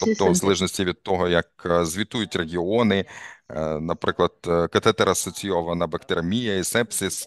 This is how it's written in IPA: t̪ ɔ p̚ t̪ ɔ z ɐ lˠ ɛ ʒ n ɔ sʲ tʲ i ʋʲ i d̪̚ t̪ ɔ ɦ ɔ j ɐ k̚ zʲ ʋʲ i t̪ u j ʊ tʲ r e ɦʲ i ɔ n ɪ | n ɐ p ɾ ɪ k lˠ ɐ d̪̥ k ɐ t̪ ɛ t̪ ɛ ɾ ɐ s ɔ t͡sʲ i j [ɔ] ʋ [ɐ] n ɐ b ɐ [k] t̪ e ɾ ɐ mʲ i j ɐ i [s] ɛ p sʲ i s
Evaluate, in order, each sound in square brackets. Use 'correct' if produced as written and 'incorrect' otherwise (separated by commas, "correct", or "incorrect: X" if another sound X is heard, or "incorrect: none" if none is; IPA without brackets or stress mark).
correct, correct, correct, correct